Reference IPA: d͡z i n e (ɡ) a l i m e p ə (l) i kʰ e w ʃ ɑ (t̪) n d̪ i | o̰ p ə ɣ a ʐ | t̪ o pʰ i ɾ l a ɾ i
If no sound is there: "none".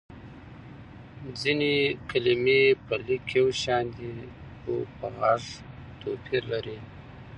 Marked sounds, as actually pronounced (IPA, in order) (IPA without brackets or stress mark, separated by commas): k, l, none